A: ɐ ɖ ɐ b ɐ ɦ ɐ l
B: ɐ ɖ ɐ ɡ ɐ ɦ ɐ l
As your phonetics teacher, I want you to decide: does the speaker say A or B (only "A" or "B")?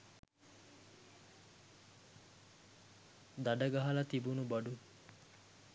B